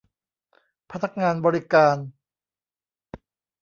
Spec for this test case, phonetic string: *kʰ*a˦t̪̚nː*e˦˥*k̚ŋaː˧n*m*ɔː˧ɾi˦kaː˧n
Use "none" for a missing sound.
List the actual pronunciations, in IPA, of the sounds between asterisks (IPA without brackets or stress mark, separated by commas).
pʰ, a˦˥, b